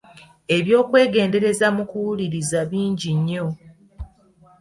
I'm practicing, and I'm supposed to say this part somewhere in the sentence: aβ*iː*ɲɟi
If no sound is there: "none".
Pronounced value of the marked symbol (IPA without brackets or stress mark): iː